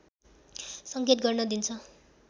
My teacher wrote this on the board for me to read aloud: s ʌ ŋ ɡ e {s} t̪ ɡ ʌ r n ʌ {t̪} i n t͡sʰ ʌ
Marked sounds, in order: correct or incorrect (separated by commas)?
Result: incorrect, incorrect